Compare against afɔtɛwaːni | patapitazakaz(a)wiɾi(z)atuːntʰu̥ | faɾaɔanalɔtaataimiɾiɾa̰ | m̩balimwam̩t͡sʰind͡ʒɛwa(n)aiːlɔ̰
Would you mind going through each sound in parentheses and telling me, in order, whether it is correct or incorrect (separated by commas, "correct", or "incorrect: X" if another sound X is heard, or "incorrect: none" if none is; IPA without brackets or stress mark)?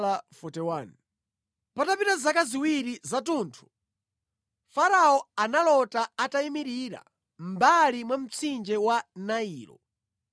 incorrect: i, correct, correct